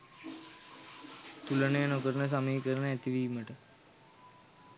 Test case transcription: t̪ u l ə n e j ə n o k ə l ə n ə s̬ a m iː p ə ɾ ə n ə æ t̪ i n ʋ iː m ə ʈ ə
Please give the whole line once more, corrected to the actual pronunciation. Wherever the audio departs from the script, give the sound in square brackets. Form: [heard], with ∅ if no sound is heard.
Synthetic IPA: t̪ u l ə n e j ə n o k ə [ɾ] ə n ə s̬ a m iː [k] ə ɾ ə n ə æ t̪ i [∅] ʋ iː m ə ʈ ə